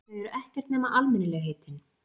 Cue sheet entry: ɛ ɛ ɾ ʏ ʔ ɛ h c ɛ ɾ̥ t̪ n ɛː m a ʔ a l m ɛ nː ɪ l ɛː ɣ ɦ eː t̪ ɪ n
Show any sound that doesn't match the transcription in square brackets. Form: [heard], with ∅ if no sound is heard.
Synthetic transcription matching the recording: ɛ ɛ ɾ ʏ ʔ ɛ h c ɛ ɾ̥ t̪ n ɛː m a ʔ a l m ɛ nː ɪ l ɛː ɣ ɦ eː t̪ ɪ n